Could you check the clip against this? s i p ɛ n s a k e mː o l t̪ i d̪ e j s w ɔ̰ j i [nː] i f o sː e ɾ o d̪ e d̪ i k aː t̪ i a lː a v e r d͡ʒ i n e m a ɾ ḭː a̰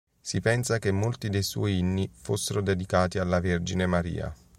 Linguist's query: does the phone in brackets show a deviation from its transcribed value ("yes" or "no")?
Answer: no